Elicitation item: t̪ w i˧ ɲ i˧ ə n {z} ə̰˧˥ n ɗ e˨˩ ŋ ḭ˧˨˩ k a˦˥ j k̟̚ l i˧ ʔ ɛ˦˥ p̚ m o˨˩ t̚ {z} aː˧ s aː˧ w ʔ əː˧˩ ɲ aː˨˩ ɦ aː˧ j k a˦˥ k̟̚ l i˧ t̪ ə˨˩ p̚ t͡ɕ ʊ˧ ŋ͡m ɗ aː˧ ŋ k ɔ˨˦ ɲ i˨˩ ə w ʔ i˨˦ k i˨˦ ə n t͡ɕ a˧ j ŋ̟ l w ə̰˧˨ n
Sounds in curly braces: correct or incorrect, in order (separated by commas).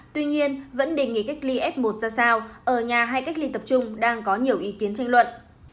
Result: incorrect, correct